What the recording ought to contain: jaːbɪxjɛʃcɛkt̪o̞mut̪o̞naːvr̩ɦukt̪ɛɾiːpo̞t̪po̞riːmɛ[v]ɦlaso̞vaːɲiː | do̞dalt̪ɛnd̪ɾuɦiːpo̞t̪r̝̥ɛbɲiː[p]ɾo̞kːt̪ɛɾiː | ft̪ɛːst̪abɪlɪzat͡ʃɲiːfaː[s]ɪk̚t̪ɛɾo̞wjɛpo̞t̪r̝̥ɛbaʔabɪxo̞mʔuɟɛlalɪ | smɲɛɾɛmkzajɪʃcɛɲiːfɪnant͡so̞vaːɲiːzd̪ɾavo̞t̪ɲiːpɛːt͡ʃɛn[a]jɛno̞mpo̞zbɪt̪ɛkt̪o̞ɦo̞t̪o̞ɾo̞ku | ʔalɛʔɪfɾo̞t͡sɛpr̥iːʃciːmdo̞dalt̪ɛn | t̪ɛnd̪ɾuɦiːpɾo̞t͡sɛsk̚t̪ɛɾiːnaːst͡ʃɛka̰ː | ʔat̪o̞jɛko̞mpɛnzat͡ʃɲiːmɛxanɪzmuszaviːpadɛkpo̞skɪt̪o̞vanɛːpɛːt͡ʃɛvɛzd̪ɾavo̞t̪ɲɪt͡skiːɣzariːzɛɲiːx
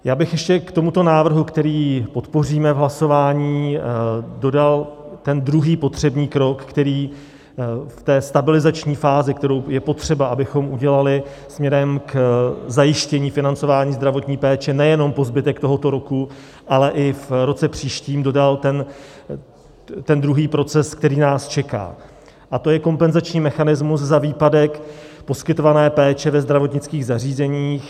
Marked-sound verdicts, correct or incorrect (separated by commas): correct, incorrect, incorrect, incorrect